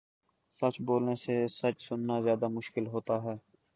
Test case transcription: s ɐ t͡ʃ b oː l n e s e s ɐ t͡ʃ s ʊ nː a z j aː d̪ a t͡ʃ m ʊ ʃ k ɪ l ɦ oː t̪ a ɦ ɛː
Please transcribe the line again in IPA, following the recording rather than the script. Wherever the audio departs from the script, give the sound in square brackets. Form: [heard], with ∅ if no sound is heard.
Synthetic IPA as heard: s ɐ t͡ʃ b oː l n e s e s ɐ t͡ʃ s ʊ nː a z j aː d̪ a [∅] m ʊ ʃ k ɪ l ɦ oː t̪ a ɦ ɛː